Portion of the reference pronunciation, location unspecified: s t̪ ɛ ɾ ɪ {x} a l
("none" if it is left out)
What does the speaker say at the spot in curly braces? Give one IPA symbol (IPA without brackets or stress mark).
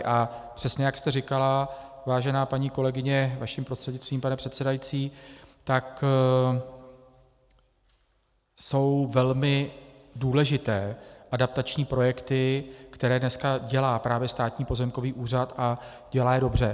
k